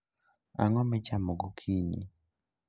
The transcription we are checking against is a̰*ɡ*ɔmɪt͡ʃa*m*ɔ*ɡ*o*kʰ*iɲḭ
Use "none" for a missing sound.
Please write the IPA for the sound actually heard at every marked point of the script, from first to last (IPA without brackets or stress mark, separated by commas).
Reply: ŋ, m, ɡ, kʰ